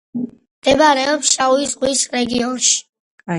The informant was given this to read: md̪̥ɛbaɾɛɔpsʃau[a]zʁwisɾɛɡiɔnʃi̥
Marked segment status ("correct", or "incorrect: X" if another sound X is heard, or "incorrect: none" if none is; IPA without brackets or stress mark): incorrect: i